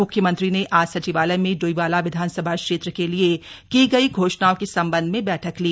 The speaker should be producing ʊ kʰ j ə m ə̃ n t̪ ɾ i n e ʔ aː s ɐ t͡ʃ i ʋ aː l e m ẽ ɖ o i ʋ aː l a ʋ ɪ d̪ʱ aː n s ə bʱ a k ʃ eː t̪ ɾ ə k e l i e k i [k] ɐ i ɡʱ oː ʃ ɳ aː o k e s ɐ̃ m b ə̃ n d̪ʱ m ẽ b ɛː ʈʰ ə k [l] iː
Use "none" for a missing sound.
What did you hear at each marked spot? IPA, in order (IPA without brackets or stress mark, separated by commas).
ɡ, l